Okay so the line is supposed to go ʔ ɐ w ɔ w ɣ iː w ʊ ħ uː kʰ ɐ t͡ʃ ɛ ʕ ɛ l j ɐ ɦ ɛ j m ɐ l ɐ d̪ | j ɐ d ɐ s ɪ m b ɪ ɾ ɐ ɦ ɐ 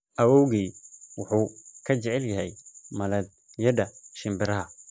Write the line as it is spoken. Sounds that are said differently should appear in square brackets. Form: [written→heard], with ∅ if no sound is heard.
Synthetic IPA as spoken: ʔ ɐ w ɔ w ɣ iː w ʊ ħ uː kʰ ɐ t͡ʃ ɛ ʕ ɛ l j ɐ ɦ ɛ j m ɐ l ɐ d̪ | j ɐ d ɐ [s→ʃ] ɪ m b ɪ ɾ ɐ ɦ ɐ